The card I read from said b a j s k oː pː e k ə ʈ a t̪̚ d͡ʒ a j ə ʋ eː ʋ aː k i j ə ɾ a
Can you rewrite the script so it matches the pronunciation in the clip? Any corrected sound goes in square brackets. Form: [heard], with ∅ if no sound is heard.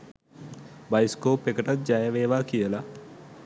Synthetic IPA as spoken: b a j s k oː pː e k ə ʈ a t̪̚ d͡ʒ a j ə ʋ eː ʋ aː k i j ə [l] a